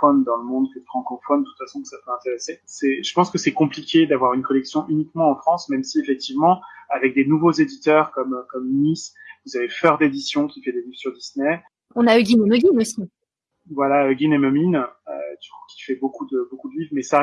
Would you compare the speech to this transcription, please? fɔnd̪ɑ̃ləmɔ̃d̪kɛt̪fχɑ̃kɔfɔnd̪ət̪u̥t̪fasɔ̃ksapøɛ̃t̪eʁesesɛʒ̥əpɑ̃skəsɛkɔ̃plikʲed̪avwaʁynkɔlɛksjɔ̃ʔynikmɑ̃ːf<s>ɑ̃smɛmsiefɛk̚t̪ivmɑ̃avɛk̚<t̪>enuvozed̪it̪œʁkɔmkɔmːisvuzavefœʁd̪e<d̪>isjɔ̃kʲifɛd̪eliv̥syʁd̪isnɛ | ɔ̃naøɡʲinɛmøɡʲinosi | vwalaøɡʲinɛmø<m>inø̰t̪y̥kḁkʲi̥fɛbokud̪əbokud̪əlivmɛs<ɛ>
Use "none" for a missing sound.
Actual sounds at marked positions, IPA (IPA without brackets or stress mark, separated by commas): χ, d̪, d̪, m, a